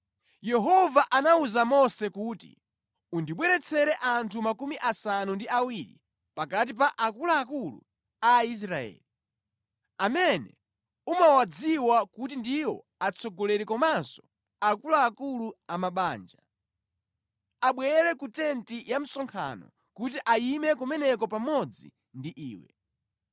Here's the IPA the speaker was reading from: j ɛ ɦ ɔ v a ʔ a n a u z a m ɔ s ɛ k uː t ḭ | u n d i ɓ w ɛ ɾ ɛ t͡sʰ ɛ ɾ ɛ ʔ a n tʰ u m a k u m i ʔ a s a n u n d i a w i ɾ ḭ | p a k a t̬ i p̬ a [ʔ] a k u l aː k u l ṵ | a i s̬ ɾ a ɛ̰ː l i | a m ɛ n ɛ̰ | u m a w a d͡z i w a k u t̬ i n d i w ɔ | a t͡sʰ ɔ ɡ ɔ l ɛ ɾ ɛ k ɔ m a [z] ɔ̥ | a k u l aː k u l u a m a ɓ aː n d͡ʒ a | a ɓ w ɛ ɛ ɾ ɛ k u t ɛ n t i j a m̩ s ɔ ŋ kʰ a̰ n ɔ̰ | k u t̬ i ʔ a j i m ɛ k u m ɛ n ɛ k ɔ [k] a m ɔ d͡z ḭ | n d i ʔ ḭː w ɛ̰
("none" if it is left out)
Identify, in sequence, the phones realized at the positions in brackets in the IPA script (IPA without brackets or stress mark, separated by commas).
ʔ, s, p